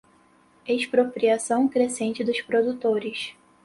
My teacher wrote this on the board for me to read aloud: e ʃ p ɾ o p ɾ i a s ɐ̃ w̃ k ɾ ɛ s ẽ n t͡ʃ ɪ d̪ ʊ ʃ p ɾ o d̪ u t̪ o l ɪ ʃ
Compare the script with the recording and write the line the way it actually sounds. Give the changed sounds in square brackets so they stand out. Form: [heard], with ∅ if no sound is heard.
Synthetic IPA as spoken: e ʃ p ɾ o p ɾ i a s ɐ̃ w̃ k ɾ [e] s ẽ n t͡ʃ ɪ d̪ ʊ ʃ p ɾ o d̪ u t̪ o [ɾ] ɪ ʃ